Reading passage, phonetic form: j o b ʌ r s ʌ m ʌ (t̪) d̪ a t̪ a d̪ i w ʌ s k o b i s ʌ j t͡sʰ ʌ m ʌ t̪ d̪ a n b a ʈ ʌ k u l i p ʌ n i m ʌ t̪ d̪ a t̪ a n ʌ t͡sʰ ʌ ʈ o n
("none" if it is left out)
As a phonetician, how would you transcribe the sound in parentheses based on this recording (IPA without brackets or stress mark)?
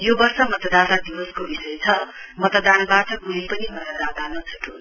t̪